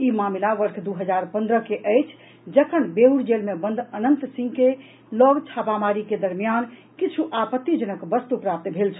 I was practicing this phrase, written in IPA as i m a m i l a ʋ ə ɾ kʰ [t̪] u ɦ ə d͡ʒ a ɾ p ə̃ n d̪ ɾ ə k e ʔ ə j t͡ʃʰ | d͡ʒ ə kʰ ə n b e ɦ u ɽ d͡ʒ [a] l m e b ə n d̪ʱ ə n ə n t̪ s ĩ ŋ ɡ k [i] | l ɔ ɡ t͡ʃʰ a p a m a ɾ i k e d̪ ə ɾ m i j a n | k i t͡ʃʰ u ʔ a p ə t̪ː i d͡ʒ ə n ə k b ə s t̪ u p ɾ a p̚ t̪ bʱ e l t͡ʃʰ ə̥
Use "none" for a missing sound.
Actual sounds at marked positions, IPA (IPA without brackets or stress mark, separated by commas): d̪, e, e